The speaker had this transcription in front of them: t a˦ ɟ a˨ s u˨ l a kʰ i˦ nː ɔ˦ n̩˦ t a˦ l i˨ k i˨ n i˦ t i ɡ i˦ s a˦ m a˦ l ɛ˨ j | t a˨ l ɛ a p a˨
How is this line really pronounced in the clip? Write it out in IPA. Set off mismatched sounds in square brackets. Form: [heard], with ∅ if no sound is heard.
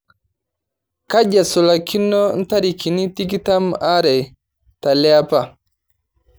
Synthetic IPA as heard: [k] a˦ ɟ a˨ s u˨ l a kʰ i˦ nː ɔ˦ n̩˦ t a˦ [ɾ] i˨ k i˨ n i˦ t i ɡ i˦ [t] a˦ m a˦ [ɾ] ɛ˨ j | t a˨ l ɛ a p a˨